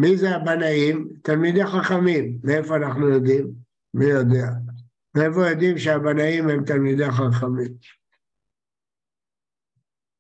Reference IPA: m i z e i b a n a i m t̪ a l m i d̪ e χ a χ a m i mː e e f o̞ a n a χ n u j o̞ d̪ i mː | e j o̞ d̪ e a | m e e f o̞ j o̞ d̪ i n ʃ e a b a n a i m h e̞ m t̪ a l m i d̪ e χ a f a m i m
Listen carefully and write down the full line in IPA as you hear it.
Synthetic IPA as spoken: m i z e a b a n a i m t̪ a l m i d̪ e χ a χ a m i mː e e f o̞ a n a χ n u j o̞ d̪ i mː | i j o̞ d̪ e a | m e e f o̞ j o̞ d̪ i m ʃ e a b a n a i m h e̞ m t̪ a l m i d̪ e χ a χ a m i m